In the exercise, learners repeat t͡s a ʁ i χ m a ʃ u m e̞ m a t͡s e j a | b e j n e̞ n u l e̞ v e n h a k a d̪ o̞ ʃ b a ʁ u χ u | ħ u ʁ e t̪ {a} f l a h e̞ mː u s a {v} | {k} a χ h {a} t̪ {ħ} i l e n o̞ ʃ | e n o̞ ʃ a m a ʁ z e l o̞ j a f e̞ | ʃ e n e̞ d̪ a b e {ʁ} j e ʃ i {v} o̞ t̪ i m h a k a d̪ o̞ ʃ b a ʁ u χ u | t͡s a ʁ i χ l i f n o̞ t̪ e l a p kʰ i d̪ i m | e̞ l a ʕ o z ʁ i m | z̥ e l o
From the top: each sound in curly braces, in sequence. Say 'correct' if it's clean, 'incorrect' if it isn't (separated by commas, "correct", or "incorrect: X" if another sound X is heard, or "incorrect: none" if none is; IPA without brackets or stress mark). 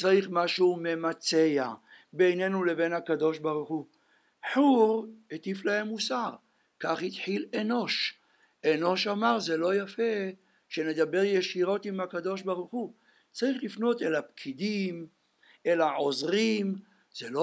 incorrect: i, incorrect: ʁ, correct, incorrect: i, correct, correct, incorrect: ʁ